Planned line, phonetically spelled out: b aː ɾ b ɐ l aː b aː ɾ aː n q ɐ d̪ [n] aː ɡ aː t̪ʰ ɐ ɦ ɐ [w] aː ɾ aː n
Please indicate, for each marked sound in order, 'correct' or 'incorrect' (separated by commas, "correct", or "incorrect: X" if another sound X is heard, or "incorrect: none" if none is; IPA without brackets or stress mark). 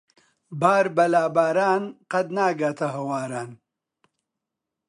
correct, correct